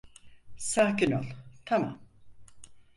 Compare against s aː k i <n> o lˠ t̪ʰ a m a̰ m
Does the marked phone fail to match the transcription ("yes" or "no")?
no